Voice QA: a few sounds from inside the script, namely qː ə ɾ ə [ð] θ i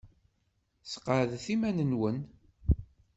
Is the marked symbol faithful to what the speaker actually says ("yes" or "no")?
yes